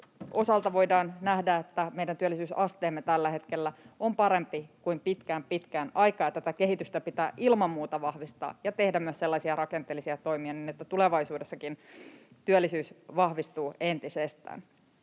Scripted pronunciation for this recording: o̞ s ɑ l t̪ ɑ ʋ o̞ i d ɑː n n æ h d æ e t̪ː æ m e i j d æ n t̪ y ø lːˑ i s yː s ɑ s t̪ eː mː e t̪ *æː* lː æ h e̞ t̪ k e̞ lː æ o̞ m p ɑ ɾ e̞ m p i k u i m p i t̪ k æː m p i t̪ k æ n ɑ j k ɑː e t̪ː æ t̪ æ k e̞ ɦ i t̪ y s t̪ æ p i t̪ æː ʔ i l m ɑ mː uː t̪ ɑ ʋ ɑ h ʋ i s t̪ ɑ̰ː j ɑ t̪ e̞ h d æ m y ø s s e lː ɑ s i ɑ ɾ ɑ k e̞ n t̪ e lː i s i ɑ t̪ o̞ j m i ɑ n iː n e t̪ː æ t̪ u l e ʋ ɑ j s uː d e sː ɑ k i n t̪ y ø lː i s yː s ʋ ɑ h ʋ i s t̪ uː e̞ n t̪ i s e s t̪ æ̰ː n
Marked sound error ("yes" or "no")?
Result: yes